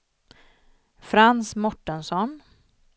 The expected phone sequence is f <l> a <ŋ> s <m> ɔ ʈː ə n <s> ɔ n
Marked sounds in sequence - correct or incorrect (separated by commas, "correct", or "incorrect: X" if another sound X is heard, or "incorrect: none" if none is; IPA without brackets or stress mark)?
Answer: incorrect: ɾ, incorrect: n, correct, correct